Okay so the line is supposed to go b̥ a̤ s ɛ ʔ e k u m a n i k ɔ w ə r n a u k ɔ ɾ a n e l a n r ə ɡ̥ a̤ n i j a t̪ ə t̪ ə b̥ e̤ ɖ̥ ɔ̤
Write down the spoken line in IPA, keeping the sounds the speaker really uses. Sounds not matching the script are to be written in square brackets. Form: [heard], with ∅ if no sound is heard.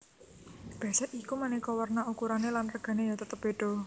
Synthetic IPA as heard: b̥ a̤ s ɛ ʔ [i] k u m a n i k ɔ w ə r n a u k [u] ɾ a n e l a n r ə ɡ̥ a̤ n [e] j a t̪ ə t̪ ə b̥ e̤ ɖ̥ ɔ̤